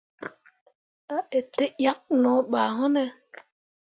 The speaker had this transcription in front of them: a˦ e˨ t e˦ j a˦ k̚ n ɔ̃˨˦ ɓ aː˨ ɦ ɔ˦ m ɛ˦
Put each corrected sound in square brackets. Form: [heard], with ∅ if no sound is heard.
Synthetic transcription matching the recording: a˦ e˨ t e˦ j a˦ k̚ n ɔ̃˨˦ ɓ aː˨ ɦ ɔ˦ [n] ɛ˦